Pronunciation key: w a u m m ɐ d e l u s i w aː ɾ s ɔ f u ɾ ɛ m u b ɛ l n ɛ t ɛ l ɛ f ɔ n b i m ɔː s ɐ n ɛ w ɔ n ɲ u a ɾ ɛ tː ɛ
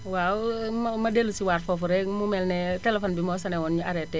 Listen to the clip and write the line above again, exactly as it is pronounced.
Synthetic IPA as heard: w a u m m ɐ d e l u s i w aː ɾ f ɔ f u ɾ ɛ m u m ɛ l n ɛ t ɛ l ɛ f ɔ n b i m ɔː s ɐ n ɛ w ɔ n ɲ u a ɾ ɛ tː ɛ